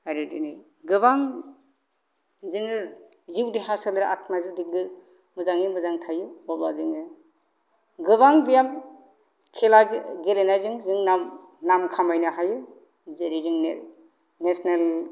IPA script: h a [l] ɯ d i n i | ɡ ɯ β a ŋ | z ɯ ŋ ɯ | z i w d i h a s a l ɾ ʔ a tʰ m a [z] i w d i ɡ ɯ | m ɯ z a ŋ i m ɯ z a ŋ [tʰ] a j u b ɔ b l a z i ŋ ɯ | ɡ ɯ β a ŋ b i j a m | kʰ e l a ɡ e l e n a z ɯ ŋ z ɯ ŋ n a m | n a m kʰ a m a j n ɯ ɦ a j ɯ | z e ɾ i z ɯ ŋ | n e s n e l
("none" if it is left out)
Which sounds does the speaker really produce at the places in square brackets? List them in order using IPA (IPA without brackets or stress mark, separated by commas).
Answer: ɾ, z, tʰ